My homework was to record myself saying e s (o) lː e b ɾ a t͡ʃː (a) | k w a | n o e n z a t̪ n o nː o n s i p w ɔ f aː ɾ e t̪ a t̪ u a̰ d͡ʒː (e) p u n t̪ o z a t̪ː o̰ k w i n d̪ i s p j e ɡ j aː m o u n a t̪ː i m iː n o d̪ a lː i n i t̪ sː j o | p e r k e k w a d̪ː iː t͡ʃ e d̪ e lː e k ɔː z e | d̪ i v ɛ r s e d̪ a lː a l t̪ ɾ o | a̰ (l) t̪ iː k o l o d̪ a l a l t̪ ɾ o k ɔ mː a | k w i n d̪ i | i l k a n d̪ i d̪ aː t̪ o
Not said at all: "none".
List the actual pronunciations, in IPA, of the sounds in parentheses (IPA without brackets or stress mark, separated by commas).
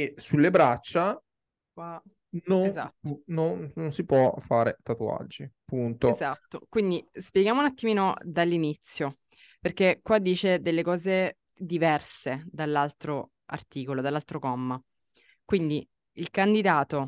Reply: u, a, i, r